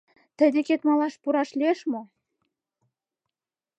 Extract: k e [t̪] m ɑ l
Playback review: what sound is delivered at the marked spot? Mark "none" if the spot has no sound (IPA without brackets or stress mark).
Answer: t̪